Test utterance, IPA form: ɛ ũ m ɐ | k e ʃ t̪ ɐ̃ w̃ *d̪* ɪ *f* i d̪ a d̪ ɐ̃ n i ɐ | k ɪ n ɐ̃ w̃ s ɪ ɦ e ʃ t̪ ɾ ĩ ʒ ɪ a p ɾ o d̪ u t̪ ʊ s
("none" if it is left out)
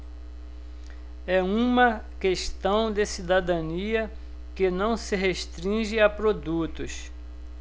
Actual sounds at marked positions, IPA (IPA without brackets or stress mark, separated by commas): d̪, s